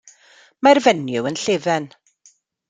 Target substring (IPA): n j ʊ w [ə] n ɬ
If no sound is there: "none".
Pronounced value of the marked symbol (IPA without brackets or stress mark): ə